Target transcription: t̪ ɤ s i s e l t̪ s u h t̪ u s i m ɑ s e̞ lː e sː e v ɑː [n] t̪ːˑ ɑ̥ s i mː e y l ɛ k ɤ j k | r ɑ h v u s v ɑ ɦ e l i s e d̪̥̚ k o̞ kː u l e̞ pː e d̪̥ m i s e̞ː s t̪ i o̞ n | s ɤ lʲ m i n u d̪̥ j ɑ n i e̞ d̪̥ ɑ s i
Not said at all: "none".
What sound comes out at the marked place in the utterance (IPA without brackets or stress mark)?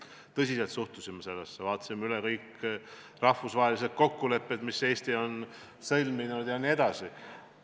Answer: none